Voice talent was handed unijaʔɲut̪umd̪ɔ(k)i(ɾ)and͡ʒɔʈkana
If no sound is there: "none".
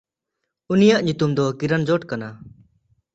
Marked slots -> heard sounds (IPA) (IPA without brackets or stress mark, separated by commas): k, ɾ